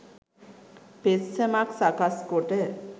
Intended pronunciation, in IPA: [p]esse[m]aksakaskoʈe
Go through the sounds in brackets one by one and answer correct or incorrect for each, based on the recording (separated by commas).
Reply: correct, correct